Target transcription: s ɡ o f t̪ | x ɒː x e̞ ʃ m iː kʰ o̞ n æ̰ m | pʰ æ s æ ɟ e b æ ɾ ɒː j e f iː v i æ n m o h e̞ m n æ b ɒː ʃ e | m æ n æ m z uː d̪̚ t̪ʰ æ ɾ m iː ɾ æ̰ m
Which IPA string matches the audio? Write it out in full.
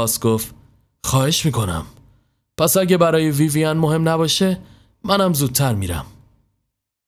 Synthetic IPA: s ɡ o f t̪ | x ɒː h e̞ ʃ m iː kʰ o̞ n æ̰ m | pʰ æ s æ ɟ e b æ ɾ ɒː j e v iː v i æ n m o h e̞ m n æ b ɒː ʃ e | m æ n æ m z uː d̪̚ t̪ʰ æ ɾ m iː ɾ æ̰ m